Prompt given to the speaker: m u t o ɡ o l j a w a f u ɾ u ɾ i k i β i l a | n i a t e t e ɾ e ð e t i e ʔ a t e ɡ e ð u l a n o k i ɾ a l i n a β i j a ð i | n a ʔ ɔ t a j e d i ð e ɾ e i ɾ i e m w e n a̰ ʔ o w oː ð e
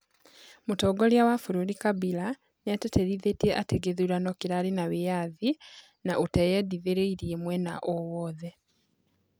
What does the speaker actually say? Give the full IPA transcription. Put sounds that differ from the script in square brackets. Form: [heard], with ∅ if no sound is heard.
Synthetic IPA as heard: m u t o ɡ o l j a w a f u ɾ u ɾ i k [a] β i l a | n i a t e t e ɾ [i] ð e t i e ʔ a t e ɡ e ð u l a n o k i ɾ a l i n a β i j a ð i | n a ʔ [u] t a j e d i ð e ɾ e i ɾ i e m w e n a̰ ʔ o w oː ð e